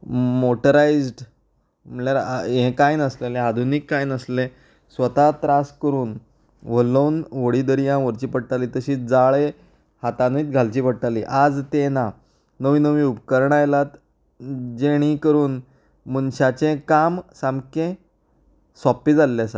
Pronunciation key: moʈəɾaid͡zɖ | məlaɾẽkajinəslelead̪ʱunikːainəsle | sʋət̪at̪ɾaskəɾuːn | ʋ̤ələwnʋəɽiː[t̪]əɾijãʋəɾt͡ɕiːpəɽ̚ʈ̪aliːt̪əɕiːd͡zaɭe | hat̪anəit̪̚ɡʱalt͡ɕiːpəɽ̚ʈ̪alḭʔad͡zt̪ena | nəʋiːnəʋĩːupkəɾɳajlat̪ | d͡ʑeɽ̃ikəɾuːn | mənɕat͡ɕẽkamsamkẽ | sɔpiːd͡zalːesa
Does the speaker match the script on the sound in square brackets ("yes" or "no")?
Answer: no